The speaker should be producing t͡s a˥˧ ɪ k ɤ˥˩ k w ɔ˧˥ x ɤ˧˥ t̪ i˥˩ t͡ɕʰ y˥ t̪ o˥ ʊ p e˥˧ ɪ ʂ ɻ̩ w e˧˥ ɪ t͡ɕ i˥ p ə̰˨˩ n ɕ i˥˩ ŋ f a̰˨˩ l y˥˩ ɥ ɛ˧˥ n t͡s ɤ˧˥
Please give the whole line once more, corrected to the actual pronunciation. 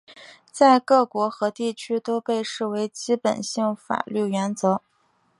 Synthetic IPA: t͡s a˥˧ ɪ k ɤ˥˩ k w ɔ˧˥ x ɤ˧˥ t̪ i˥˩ t͡ɕʰ y˥ t̪ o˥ ʊ p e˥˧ ɪ ʂ ɻ̩ w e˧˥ ɪ t͡ɕ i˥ p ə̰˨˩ n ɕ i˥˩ ŋ f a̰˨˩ l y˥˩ ɥ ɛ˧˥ n t͡s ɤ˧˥